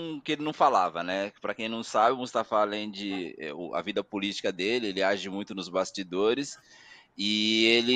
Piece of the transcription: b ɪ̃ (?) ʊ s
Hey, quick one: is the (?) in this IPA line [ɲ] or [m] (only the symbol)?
m